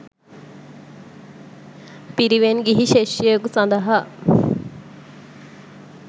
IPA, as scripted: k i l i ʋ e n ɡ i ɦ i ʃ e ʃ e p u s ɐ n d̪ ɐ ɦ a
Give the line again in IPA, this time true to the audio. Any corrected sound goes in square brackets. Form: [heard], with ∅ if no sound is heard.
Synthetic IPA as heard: [p] i [ɾ] i ʋ e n ɡ i ɦ i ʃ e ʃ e [k] u s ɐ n d̪ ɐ ɦ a